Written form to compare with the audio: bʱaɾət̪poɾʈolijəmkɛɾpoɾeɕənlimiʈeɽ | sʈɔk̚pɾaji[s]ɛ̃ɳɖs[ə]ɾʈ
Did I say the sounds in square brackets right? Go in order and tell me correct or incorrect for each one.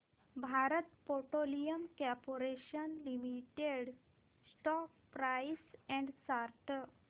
correct, incorrect

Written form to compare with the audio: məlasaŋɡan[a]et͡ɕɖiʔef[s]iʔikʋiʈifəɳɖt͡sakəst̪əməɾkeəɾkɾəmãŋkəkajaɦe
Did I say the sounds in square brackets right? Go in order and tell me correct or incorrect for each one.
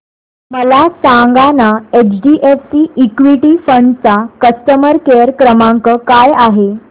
correct, correct

